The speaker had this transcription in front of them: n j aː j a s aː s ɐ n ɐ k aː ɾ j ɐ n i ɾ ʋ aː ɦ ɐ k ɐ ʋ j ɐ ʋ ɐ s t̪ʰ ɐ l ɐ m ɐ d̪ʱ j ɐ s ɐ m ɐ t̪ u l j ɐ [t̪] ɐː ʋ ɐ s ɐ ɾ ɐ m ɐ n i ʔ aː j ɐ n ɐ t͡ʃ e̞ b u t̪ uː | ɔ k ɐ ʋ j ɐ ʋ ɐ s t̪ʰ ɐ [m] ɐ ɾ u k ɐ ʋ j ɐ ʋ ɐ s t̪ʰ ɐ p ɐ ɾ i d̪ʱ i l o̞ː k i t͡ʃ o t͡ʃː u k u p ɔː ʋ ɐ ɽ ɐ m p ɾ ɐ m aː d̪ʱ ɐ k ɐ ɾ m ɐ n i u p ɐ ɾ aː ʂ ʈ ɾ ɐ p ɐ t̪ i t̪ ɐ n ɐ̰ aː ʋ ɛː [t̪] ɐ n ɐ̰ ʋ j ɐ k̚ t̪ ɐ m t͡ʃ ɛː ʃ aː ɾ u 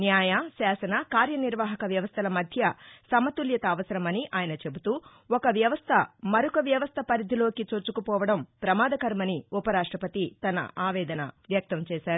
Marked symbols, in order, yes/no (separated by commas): yes, yes, no